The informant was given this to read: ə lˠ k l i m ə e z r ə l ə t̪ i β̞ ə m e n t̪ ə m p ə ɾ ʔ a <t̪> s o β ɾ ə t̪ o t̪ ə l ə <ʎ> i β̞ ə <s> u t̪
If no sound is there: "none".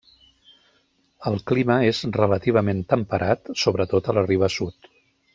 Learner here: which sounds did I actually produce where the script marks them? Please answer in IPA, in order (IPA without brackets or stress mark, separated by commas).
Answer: t̪, r, s